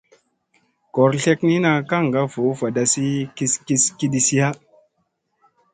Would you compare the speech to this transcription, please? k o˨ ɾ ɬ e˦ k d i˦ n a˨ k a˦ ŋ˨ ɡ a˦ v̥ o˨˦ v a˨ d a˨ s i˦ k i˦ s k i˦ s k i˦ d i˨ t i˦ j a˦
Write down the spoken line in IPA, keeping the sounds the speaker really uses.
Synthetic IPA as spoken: k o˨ ɾ ɬ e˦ k n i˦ n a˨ k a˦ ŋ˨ ɡ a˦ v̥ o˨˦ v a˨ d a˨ s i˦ k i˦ s k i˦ s k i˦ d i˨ s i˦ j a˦